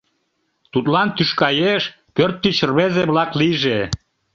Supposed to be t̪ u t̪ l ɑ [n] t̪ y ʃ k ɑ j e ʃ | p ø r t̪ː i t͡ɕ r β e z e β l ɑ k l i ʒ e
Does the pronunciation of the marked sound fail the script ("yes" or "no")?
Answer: no